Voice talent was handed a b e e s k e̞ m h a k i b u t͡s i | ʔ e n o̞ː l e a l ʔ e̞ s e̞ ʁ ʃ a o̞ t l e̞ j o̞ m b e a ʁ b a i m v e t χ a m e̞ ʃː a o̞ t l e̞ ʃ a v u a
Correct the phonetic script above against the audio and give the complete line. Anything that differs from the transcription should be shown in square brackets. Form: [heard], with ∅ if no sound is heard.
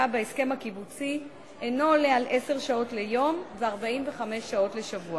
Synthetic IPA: a b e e s k e̞ m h a k i b u t͡s i | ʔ e n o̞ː l e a l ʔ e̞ s e̞ ʁ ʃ a o̞ t l e̞ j o̞ m [v] e a ʁ b a i m v e [∅] χ a m e̞ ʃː a o̞ t l e̞ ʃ a v u a